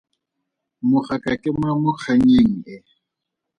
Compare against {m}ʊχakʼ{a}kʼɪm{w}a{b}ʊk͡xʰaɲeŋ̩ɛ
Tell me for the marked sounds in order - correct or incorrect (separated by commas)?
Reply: correct, correct, correct, incorrect